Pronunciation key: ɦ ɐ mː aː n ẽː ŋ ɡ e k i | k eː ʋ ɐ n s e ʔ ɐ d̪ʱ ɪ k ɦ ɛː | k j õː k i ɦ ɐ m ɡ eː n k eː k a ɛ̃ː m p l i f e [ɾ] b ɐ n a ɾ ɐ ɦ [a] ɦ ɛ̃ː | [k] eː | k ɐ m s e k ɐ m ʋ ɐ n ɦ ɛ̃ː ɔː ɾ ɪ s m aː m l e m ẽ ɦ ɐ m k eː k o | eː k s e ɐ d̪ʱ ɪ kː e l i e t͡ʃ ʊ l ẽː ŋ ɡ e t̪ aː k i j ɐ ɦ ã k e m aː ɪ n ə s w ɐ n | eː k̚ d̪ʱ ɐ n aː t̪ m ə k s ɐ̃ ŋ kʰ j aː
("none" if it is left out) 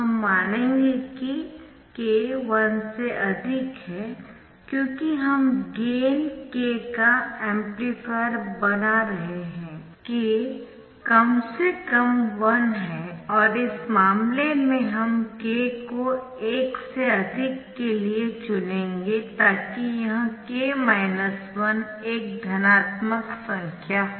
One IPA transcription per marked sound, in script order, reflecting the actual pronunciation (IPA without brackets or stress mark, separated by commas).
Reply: ɾ, e, k